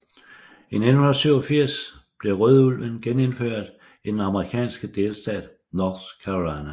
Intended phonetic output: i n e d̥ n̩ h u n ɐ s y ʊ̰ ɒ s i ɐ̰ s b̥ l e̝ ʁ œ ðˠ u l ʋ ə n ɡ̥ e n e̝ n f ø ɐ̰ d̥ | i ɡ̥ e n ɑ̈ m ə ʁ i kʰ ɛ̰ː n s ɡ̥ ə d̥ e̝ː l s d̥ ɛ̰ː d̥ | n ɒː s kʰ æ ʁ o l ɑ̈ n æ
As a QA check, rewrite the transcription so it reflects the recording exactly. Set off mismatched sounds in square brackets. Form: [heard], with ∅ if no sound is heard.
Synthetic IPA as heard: i n e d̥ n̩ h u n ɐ s y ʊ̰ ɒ [f] i ɐ̰ s b̥ l e̝ ʁ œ ðˠ u l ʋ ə n ɡ̥ e n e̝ n f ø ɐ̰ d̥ | i [d̥] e n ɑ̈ m ə ʁ i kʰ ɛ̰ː n s ɡ̥ ə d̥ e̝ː l s d̥ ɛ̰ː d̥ | n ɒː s kʰ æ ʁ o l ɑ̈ n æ